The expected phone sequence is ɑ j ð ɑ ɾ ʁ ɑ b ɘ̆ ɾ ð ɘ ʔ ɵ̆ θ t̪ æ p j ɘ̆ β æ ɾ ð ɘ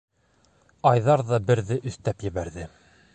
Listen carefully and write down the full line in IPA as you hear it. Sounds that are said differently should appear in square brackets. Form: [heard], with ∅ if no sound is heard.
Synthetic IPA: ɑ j ð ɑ ɾ [ð] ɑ b ɘ̆ ɾ ð ɘ ʔ ɵ̆ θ t̪ æ p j ɘ̆ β æ ɾ ð ɘ